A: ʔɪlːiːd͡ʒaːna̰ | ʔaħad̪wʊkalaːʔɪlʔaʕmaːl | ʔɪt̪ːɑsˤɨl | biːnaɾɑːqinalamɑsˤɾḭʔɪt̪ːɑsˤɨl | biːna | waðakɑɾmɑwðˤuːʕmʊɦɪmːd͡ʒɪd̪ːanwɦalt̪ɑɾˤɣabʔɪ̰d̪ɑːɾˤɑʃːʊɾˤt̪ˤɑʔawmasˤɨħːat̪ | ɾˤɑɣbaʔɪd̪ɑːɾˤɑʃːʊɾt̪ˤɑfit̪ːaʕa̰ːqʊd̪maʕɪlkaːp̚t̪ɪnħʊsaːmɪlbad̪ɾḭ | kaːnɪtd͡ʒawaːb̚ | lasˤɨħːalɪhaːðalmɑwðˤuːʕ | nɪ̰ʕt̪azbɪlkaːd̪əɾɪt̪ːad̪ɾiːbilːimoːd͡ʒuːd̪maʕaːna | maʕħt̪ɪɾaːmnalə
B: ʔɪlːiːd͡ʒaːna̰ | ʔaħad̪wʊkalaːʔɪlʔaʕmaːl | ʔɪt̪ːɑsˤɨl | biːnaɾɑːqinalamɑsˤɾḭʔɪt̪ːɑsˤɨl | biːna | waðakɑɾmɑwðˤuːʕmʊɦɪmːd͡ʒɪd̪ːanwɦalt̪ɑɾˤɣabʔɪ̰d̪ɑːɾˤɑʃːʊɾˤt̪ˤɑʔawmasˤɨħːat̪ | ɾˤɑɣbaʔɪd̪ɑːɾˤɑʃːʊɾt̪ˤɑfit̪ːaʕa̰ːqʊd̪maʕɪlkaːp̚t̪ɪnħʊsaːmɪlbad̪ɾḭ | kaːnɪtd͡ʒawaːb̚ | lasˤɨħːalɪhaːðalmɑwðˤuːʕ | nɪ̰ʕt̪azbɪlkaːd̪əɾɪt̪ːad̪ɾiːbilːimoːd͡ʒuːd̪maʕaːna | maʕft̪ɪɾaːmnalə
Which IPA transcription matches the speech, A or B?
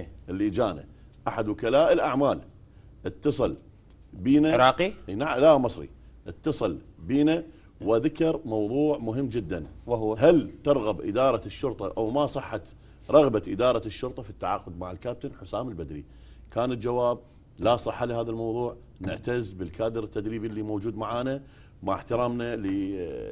A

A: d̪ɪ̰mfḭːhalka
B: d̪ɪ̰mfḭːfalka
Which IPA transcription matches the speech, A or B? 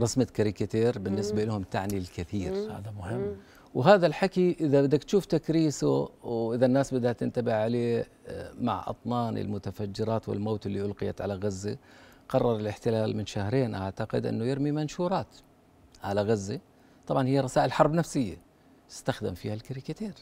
A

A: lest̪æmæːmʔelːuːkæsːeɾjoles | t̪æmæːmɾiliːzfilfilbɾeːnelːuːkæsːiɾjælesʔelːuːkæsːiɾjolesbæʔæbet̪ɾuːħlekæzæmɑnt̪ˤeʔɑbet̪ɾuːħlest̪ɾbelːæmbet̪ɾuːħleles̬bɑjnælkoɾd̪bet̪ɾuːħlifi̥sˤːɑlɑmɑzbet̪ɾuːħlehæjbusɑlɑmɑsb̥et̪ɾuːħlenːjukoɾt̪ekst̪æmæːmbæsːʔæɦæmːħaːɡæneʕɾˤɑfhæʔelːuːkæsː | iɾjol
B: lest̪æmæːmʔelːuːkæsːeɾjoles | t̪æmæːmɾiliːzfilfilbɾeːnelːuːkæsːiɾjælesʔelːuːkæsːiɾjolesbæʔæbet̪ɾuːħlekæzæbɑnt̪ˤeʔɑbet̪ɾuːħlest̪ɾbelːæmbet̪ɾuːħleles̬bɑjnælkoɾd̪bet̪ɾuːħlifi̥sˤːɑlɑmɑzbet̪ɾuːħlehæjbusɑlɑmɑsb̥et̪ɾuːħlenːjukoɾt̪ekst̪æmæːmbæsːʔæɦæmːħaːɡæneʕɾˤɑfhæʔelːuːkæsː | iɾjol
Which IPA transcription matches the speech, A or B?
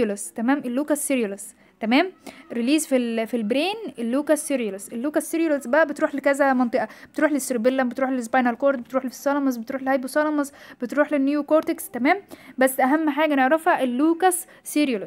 A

